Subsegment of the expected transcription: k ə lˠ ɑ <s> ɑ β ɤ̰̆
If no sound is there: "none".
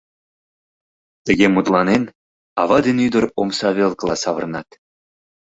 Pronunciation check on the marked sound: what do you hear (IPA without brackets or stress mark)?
s